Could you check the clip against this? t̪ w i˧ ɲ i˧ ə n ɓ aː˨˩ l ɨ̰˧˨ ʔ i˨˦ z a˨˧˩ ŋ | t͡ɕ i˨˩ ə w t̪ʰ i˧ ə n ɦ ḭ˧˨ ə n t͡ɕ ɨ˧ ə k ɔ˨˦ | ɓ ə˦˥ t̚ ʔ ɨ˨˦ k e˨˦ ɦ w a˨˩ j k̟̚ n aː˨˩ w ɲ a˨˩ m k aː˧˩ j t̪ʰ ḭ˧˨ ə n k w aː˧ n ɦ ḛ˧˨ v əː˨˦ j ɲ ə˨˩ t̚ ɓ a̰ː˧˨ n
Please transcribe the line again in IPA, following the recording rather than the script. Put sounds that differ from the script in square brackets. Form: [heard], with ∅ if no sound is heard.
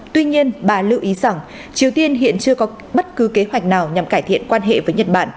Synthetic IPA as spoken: t̪ w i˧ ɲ i˧ ə n ɓ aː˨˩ l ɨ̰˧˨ ʔ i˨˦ z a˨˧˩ ŋ | t͡ɕ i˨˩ ə w [t̪] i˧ ə n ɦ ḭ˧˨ ə n t͡ɕ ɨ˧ ə k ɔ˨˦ | ɓ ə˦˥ t̚ [k] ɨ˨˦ k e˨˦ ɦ w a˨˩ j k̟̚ n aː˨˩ w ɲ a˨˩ m k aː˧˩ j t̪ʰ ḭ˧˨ ə n k w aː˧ n ɦ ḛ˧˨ v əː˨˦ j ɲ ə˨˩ t̚ ɓ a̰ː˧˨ n